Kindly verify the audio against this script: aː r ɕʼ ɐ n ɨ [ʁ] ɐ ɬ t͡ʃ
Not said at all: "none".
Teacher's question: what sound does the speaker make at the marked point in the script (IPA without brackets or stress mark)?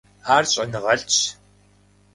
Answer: ʁ